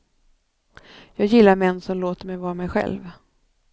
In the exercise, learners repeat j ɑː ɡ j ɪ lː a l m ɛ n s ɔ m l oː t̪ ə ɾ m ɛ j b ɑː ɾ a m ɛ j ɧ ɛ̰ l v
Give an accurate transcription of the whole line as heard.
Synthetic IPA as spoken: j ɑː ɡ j ɪ lː a ɾ m ɛ nː s ɔ m l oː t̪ ə ɾ m ɛ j v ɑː ɾ a m ɛ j ɧ ɛ̰ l v